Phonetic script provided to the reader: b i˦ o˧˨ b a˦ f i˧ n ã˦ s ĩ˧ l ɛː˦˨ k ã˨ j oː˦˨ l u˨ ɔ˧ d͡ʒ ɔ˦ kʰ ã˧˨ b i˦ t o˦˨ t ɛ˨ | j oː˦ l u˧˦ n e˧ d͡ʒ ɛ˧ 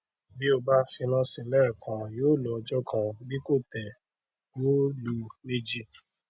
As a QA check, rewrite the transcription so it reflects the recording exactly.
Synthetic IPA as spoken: b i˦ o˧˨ b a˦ f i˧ n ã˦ s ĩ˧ l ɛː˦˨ k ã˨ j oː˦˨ l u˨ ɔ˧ d͡ʒ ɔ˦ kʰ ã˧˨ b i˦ k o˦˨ t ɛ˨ | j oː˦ l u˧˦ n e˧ d͡ʒ i˧